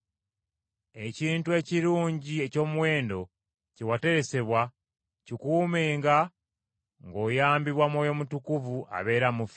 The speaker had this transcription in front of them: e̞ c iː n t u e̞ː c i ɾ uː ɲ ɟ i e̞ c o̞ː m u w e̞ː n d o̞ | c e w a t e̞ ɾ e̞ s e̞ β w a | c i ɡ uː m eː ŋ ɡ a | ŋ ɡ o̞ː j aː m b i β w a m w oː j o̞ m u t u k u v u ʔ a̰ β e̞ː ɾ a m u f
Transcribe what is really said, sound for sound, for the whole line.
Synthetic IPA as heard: e̞ c iː n t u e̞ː c i ɾ uː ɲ ɟ i e̞ c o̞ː m u w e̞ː n d o̞ | c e w a t e̞ ɾ e̞ s e̞ β w a | c i k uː m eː ŋ ɡ a | ŋ ɡ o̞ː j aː m b i β w a m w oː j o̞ m u t u k u v u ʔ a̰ β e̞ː ɾ a m u f

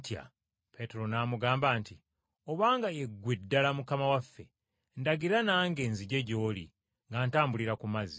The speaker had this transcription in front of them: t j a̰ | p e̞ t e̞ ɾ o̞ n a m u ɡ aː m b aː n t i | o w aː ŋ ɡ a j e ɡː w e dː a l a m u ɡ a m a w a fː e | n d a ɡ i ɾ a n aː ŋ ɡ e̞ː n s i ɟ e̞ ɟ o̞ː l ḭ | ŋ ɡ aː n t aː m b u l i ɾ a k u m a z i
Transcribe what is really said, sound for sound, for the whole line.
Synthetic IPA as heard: t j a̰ | p e̞ t e̞ ɾ o̞ n a m u ɡ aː m b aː n t i | o β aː ŋ ɡ a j e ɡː w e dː a l a m u k a m a w a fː e | n d a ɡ i ɾ a n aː ŋ ɡ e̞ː n z i ɟ e̞ ɟ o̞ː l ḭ | ŋ ɡ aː n t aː m b u l i ɾ a k u m a z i

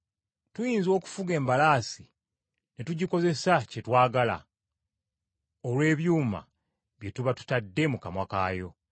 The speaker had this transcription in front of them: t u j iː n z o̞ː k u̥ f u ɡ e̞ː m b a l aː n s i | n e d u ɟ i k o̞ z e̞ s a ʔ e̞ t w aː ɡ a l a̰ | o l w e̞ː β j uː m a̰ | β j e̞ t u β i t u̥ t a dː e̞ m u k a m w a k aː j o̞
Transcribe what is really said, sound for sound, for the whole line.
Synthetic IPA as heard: t u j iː n z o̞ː k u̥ f u ɡ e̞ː m b a l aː s i | n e t u ɟ i k o̞ z e̞ s a c e̞ t w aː ɡ a l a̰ | o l w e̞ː β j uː m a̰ | β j e̞ t u β a t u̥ t a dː e̞ m u k a m w a k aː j o̞

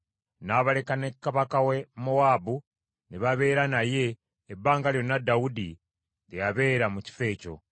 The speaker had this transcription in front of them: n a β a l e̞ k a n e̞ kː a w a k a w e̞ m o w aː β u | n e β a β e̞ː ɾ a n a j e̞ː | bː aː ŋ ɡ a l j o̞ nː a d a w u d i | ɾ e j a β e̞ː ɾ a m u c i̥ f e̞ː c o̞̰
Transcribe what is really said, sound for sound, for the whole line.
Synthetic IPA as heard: n a β a l e̞ k a n e̞ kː a β a k a w e̞ m o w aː b u | n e β a β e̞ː ɾ a n a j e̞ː | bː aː ŋ ɡ a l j o̞ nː a d a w u d i | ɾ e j a β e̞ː ɾ a m u c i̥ f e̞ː c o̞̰

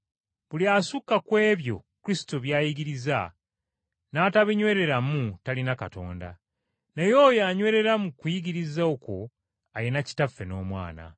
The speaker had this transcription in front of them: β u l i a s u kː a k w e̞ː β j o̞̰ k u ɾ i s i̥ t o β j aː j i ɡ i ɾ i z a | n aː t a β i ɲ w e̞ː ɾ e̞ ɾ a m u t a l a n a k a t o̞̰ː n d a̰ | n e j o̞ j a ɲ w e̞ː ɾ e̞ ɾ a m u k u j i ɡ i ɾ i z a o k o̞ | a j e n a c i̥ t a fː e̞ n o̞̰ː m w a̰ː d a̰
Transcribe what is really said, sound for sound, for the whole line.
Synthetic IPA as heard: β u l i a s u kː a k w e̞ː β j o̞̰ k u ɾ i s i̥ t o β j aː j i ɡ i ɾ i z a | n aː t a β i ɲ w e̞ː ɾ e̞ ɾ a m u t a l i n a k a t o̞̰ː n d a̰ | n e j o̞ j a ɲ w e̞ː ɾ e̞ ɾ a m u k u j i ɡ i ɾ i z a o k o̞ | a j e n a c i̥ t a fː e̞ n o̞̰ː m w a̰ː n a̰

